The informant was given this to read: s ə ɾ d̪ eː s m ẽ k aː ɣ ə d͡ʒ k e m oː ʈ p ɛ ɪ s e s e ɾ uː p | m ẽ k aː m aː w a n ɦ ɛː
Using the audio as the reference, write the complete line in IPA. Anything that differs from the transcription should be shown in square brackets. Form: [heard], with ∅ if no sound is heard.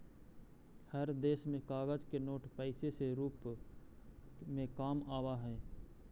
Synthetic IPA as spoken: [h] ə ɾ d̪ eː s m ẽ k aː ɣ ə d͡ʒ k e [n] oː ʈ p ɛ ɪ s e s e ɾ uː p | m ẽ k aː m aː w a [∅] ɦ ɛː